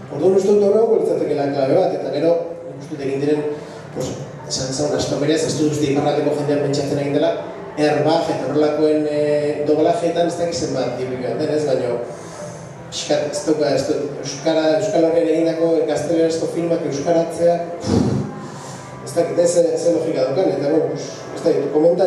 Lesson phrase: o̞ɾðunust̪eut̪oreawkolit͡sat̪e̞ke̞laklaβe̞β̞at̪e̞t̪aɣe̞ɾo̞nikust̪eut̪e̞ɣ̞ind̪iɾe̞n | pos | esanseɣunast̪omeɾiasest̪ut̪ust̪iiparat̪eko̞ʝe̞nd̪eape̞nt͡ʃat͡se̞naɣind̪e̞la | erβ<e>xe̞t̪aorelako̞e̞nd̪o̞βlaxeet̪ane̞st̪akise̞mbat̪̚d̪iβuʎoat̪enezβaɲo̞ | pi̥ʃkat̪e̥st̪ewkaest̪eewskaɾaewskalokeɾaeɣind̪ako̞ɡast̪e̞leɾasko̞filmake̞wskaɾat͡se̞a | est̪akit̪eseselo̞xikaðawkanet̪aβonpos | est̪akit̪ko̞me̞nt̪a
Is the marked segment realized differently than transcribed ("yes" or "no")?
yes